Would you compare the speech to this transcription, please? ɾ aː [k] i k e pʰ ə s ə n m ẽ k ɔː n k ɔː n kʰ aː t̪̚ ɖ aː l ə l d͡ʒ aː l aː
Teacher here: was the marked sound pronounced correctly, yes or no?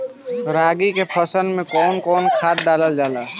no